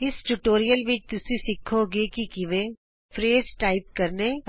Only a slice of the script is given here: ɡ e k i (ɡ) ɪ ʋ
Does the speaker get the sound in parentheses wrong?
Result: yes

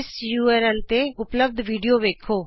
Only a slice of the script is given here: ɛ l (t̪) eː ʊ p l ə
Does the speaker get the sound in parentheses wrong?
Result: no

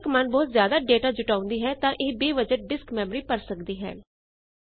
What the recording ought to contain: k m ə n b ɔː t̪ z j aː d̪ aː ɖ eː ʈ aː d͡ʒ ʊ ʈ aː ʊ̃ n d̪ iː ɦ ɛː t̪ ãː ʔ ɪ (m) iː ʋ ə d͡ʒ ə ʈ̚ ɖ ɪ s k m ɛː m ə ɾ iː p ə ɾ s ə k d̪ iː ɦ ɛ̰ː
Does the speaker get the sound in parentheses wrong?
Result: yes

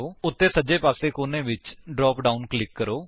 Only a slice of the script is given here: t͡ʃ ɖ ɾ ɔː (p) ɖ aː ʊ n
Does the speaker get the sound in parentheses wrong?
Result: no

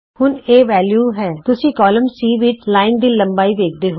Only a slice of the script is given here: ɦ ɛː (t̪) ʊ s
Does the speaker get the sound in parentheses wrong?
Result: no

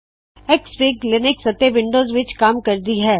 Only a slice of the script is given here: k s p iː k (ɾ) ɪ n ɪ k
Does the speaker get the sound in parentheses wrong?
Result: yes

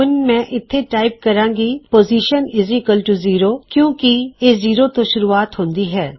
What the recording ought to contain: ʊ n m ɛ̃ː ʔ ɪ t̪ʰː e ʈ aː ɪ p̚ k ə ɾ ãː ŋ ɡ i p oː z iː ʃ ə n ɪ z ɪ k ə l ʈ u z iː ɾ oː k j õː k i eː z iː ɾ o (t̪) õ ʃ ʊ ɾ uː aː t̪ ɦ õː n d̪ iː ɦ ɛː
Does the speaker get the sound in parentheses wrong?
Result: no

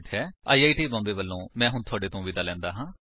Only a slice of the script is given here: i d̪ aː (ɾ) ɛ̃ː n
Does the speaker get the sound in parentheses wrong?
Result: yes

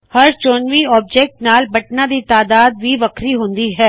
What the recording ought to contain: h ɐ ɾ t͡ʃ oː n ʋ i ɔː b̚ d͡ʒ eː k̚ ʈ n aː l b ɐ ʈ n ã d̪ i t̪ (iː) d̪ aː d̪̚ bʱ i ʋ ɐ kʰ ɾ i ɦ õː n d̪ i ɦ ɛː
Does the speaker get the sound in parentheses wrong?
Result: yes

